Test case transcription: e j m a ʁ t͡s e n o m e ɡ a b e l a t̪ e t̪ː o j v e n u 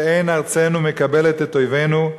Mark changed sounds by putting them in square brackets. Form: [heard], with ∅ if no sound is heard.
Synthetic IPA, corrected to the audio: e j [n] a ʁ t͡s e n [u] m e [k] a b e l [e] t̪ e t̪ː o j v e n u